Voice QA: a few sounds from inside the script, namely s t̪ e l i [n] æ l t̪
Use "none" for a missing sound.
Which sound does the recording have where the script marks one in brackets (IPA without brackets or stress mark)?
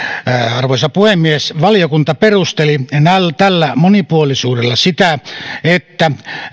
n